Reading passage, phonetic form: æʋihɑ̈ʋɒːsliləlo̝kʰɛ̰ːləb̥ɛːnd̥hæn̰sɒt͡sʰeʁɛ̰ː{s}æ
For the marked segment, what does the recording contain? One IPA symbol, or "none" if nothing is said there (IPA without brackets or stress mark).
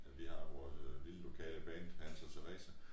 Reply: s